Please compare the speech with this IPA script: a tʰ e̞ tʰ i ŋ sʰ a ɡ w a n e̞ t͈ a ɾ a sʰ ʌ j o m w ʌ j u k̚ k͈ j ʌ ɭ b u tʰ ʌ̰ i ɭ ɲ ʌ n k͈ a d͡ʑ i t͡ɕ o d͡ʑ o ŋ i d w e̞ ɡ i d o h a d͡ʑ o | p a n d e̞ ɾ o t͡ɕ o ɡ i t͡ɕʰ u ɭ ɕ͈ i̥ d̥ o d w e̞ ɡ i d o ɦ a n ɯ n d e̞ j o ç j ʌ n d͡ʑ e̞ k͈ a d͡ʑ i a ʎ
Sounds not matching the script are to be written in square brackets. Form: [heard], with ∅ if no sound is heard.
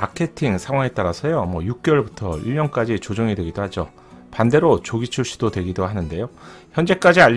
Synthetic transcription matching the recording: a [kʰ] e̞ tʰ i ŋ sʰ a [ŋ] w a [ŋ] e̞ t͈ a ɾ a sʰ ʌ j o m w ʌ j u k̚ k͈ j ʌ ɭ b u tʰ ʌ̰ i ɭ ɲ ʌ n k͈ a d͡ʑ i t͡ɕ o d͡ʑ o ŋ i d w e̞ ɡ i d o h a d͡ʑ o | p a n d e̞ ɾ o t͡ɕ o ɡ i t͡ɕʰ u ɭ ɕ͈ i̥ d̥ o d w e̞ ɡ i d o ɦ a n ɯ n d e̞ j o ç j ʌ n d͡ʑ e̞ k͈ a d͡ʑ i a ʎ